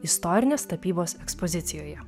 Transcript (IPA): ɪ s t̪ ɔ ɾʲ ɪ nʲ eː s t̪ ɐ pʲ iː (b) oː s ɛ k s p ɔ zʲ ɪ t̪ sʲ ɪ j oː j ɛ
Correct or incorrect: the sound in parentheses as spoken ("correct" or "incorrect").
correct